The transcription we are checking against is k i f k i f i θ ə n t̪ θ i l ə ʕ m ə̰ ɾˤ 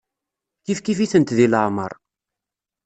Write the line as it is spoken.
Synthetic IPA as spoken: k i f k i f i θ ə n t̪ ð i l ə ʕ m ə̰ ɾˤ

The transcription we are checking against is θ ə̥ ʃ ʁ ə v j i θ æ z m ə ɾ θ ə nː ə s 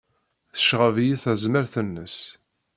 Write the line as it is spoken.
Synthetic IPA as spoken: θ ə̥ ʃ ʁ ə v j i θ æ z m ə ɾ θ ə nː ə s

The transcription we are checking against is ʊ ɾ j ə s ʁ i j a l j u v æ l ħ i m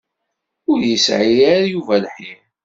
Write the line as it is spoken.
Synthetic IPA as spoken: ʊ ɾ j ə s ʕ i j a ɾ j u v æ l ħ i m

